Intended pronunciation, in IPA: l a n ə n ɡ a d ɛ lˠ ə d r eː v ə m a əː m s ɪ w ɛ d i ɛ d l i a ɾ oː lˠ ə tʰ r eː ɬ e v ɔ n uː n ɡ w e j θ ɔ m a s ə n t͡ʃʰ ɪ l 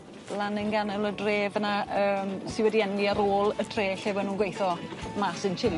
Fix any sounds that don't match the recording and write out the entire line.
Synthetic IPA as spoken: l a n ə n ɡ a n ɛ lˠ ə d r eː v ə n a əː m s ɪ w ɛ d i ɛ n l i a ɾ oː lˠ ə tʰ r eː ɬ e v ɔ n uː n ɡ w e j θ ɔ m a s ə n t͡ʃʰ ɪ l